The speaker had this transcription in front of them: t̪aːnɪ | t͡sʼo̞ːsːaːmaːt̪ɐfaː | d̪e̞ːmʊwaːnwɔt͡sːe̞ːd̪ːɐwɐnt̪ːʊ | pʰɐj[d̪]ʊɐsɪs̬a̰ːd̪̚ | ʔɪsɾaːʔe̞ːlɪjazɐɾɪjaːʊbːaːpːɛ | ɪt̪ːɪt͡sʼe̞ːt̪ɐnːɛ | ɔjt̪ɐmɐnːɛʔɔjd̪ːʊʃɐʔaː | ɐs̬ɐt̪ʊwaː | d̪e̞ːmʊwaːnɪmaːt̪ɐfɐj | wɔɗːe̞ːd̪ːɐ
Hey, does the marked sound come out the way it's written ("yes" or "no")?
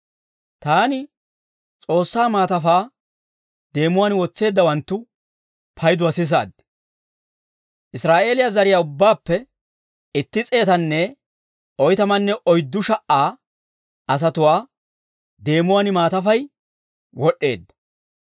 yes